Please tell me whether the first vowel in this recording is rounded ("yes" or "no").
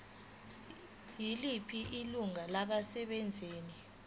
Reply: no